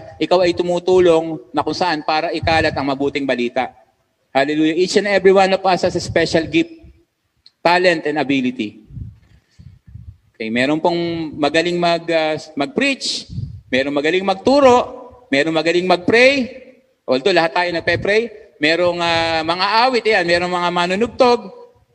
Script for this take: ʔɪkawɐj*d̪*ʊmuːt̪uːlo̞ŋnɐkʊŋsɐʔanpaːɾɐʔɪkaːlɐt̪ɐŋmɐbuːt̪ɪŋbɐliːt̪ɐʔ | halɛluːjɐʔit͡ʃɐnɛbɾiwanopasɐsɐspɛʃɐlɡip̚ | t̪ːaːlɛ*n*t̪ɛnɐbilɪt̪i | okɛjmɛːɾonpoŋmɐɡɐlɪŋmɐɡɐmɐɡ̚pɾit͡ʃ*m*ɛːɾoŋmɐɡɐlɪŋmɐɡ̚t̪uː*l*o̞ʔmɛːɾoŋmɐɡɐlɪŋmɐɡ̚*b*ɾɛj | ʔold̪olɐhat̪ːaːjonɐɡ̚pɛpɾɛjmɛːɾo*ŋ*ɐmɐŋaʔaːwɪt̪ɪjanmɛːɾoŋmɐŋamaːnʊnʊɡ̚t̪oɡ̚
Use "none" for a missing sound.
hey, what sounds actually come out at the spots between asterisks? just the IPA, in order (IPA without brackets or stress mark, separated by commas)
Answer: t̪, n, m, ɾ, p, ŋ